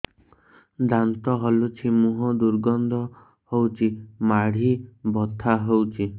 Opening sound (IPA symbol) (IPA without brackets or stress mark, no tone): d̪